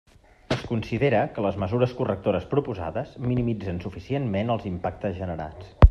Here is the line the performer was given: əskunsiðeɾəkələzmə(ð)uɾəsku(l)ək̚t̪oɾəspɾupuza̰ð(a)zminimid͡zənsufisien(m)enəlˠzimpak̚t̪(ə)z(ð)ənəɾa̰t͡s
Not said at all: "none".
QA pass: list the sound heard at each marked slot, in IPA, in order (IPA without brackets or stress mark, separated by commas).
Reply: z, r, ə, m, ə, ʒ